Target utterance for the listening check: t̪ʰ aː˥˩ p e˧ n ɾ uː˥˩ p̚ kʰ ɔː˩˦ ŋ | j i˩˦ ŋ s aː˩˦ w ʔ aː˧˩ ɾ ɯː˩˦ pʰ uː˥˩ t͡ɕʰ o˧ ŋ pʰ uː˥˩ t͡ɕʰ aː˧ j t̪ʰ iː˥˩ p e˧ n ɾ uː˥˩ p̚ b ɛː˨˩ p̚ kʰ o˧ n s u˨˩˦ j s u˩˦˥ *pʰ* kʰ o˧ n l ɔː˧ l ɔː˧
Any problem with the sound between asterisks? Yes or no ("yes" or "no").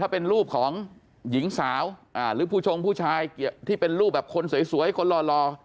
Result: yes